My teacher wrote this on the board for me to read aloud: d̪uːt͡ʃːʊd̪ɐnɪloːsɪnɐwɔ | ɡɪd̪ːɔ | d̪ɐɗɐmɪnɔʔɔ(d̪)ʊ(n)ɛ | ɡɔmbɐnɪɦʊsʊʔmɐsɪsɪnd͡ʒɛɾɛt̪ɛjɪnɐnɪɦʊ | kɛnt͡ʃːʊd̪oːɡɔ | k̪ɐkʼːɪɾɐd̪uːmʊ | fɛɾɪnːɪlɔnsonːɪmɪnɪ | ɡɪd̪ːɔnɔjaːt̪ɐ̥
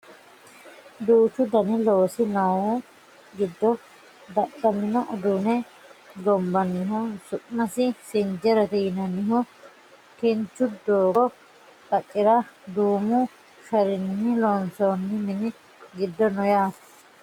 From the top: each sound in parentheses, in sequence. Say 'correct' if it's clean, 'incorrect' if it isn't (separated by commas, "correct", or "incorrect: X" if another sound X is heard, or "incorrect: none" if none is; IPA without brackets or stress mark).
correct, correct